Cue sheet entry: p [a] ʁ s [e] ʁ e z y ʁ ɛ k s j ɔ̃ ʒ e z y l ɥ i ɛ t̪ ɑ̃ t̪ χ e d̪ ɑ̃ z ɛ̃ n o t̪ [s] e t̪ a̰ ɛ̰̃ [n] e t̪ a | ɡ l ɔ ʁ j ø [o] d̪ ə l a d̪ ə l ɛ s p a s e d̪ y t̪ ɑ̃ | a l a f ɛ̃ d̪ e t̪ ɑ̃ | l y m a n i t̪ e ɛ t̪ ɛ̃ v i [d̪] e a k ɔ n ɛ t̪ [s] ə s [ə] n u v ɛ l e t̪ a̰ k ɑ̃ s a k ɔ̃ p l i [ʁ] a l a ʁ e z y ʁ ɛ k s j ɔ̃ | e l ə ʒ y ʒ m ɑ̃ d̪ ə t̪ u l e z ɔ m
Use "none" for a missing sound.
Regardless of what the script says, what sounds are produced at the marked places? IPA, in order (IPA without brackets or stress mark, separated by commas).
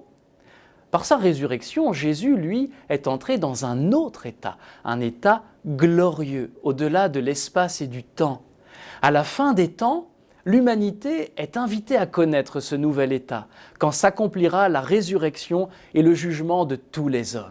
a, a, χ, n, o, t̪, χ, ə, ʁ